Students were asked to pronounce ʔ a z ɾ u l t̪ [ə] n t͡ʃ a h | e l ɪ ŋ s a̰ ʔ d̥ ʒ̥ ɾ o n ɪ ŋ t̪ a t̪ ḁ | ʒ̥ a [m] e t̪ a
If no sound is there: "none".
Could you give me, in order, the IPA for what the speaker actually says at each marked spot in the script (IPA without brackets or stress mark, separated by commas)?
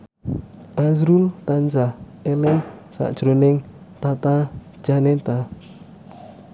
a, n